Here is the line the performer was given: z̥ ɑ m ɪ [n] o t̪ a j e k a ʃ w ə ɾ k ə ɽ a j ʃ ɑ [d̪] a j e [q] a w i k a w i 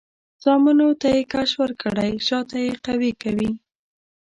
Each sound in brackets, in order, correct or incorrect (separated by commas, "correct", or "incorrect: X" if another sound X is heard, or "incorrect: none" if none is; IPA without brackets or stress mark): correct, incorrect: t̪, correct